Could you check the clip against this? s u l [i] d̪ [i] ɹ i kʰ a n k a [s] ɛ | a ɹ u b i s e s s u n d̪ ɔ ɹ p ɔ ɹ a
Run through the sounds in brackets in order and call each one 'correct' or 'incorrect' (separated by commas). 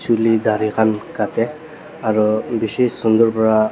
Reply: correct, incorrect, incorrect